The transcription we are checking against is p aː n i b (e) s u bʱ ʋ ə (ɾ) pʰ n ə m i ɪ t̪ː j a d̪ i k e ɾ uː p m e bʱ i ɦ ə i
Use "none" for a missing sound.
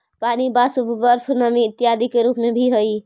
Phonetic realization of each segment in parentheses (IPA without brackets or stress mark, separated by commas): a, ɾ